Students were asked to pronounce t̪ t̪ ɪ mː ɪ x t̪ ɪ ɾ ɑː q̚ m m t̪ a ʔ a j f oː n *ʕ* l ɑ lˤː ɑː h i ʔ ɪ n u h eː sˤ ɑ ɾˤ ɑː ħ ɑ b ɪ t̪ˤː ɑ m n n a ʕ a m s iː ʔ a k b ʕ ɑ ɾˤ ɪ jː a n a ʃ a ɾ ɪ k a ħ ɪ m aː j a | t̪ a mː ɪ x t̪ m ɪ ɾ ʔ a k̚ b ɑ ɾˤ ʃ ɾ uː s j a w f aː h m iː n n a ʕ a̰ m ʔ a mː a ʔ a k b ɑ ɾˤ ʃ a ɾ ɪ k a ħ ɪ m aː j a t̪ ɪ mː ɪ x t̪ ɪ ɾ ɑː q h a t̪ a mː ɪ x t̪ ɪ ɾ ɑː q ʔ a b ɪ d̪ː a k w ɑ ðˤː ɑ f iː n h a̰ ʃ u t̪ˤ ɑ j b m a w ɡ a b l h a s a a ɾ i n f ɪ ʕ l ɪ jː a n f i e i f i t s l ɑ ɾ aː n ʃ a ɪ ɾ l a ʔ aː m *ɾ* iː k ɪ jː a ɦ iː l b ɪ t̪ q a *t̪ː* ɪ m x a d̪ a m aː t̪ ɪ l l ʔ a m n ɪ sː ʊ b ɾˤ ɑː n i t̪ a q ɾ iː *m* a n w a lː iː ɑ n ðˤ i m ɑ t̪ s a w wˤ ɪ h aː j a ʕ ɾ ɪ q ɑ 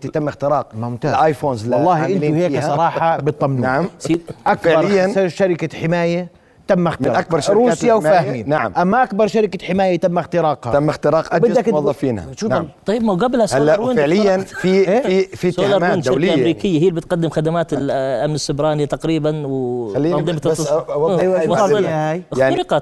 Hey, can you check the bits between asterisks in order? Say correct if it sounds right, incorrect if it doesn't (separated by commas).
incorrect, correct, incorrect, incorrect